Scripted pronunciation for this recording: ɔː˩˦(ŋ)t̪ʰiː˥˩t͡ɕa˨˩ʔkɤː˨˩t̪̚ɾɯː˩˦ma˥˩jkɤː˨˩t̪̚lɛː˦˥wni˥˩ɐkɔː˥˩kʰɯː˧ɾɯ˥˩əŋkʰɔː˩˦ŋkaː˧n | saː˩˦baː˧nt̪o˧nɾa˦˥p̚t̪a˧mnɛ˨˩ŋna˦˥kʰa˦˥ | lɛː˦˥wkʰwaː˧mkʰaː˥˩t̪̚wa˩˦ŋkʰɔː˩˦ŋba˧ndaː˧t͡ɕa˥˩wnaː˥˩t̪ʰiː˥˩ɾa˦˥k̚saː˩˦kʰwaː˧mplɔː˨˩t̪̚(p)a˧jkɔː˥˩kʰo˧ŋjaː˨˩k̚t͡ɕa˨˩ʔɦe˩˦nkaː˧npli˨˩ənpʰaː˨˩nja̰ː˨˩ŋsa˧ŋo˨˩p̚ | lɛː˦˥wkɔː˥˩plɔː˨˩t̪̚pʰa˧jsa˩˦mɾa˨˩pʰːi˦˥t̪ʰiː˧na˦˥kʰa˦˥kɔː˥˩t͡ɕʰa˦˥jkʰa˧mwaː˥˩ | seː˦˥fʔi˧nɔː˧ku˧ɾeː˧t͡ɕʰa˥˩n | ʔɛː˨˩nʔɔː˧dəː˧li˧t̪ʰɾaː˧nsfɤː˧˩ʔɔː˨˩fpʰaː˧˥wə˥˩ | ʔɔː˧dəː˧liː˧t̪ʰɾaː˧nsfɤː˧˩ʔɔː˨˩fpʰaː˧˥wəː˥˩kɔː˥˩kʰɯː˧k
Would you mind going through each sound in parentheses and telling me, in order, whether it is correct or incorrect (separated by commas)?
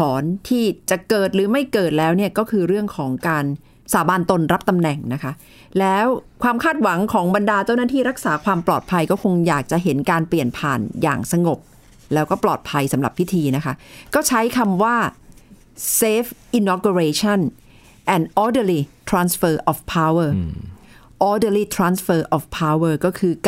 incorrect, incorrect